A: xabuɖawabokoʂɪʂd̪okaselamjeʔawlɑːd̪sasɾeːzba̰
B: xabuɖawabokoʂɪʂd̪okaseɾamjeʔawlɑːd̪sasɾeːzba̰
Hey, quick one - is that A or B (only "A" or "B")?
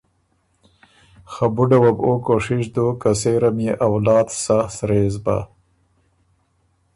B